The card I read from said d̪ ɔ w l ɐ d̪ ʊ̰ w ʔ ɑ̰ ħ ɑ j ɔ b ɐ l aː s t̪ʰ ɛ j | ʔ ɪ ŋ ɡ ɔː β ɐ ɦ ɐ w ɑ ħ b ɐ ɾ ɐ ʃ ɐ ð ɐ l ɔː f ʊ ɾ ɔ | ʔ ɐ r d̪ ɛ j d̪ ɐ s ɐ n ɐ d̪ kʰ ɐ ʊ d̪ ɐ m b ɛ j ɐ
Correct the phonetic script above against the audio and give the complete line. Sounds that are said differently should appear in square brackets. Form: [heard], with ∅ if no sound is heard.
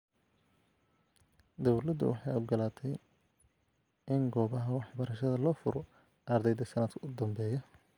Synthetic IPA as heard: d̪ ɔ w l ɐ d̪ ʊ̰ w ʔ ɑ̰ ħ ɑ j ɔ [ɡ] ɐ l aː [∅] t̪ʰ ɛ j | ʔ ɪ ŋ ɡ ɔː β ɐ ɦ ɐ w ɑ ħ b ɐ ɾ ɐ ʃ ɐ ð ɐ l ɔː f ʊ ɾ ɔ | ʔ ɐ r d̪ ɛ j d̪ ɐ s ɐ n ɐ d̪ kʰ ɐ ʊ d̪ ɐ m b [ɛː] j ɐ